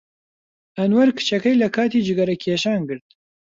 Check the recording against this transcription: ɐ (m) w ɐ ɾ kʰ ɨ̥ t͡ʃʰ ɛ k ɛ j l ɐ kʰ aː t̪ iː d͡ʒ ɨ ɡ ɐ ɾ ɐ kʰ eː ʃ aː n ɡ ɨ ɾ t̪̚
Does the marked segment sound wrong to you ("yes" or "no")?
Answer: yes